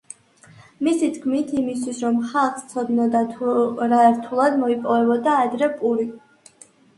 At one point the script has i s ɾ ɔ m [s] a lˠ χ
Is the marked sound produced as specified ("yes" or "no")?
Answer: no